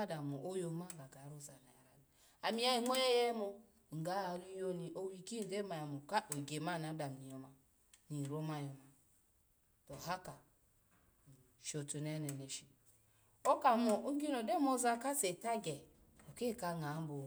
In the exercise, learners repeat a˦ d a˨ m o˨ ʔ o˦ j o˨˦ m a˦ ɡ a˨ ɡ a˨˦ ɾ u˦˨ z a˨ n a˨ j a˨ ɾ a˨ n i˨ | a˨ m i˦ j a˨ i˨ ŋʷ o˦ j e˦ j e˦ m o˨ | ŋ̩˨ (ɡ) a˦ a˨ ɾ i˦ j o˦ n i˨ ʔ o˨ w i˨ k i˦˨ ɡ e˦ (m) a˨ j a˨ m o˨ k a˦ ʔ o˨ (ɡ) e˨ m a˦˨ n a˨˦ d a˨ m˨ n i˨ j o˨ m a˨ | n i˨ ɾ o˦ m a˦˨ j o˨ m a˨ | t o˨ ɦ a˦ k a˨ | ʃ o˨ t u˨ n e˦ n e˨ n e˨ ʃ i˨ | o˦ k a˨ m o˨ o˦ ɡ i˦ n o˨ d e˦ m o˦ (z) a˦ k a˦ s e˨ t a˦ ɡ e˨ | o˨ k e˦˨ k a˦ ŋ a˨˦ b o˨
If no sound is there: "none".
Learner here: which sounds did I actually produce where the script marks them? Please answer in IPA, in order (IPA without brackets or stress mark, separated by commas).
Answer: ɡ, m, ɡ, z